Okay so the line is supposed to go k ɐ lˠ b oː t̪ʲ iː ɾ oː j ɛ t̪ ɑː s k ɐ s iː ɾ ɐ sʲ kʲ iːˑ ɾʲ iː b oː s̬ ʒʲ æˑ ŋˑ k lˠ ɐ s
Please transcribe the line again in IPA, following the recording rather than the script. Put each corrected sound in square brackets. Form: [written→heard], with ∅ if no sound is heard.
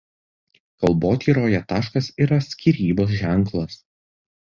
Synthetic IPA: k ɐ lˠ b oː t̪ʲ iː ɾ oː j ɛ t̪ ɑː [s→ʃ] k ɐ s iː ɾ ɐ sʲ kʲ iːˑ ɾʲ iː b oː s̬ ʒʲ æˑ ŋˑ k lˠ ɐ s